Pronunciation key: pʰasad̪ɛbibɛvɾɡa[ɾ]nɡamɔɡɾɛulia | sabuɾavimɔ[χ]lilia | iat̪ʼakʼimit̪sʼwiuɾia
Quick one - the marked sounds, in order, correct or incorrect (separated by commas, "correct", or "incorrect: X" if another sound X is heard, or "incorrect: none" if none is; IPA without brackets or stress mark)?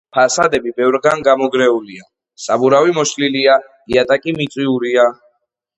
incorrect: none, incorrect: ʃ